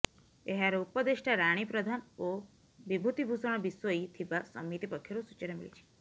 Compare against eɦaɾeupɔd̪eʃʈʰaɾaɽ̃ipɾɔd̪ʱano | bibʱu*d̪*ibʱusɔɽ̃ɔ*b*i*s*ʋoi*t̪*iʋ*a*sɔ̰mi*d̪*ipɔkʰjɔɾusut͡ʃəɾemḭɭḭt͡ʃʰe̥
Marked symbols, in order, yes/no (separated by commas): no, yes, yes, no, yes, no